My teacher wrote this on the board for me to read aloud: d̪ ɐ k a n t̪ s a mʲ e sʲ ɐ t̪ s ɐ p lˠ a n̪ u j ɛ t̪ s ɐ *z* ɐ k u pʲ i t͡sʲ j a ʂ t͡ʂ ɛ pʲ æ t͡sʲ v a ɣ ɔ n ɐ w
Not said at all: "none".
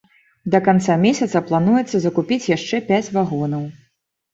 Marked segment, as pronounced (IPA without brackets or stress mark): z